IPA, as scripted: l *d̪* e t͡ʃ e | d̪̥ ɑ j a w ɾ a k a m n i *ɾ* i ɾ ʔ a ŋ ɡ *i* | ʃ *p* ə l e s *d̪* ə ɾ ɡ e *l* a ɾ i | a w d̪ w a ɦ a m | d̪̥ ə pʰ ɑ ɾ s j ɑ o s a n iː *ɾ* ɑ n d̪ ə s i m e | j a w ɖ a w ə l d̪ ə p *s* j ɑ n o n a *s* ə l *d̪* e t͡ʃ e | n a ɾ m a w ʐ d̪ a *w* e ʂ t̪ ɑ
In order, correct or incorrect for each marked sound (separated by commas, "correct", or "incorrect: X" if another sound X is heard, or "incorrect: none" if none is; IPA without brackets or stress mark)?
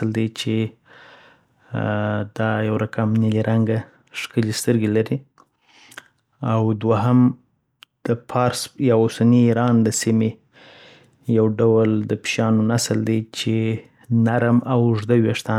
correct, incorrect: l, incorrect: a, incorrect: k, incorrect: t̪, correct, correct, incorrect: ʃ, correct, correct, correct